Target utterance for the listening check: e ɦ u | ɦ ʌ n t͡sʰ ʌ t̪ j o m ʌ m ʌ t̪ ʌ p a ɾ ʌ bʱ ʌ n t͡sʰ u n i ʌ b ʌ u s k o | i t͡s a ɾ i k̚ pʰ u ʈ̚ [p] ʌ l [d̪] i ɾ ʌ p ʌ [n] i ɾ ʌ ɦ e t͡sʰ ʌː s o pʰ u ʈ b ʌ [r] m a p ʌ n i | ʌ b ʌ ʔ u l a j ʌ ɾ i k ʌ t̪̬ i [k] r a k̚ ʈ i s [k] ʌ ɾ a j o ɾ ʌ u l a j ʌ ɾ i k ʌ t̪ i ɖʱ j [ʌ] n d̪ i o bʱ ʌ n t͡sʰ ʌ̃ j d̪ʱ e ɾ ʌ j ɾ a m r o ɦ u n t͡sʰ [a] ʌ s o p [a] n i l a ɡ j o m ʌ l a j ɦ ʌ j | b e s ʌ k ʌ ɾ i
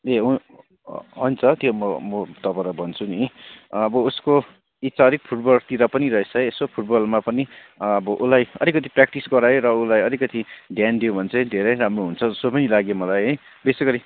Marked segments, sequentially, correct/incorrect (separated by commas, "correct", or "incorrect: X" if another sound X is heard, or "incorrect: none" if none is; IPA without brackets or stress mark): incorrect: b, incorrect: t̪, correct, incorrect: l, incorrect: p, incorrect: ɡ, incorrect: a, incorrect: ʌ, incorrect: ʌ